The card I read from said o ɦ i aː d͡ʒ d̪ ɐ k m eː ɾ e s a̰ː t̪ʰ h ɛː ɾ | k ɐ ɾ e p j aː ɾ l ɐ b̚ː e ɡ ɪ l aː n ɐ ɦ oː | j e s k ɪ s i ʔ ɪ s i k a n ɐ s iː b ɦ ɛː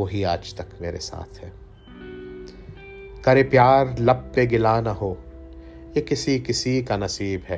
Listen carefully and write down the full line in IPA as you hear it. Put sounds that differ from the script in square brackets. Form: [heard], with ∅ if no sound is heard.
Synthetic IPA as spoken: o ɦ i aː d͡ʒ [t̪] ɐ k m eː ɾ e s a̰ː t̪ʰ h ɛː [∅] | k ɐ ɾ e p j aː ɾ l ɐ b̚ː e ɡ ɪ l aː n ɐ ɦ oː | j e [∅] k ɪ s i [k] ɪ s i k a n ɐ s iː b ɦ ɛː